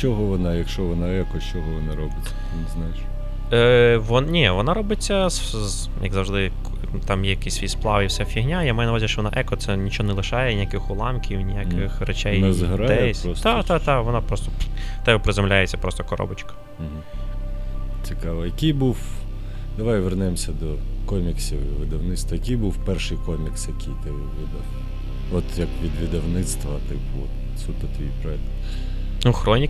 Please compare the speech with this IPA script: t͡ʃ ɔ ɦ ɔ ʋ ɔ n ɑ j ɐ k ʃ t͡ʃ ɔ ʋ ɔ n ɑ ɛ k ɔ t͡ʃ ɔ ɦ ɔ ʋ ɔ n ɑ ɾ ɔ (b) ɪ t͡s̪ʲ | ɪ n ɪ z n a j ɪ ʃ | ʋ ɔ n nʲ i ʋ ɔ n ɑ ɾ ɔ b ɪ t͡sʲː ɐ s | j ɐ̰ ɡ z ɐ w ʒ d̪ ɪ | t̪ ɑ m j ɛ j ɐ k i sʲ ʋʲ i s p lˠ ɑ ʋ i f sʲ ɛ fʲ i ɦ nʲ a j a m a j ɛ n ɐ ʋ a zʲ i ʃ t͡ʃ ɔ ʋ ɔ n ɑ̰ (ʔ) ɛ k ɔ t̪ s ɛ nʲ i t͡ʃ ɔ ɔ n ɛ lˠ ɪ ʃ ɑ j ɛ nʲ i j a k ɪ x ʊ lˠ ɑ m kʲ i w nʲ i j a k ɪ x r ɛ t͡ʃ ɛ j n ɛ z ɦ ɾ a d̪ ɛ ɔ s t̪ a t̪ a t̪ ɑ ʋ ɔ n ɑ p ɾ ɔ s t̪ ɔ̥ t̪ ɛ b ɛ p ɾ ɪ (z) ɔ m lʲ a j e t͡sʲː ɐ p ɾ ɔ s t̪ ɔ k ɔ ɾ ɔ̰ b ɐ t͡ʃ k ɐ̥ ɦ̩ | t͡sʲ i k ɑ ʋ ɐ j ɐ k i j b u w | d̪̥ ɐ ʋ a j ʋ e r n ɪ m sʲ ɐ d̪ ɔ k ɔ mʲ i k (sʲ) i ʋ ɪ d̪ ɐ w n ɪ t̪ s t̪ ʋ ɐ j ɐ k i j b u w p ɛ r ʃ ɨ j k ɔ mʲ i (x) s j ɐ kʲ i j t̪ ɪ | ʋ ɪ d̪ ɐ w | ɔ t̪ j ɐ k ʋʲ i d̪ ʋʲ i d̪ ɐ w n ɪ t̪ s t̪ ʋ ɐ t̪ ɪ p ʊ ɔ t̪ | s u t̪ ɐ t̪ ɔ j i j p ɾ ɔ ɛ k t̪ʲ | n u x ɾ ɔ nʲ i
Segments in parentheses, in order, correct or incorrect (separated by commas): correct, correct, correct, correct, incorrect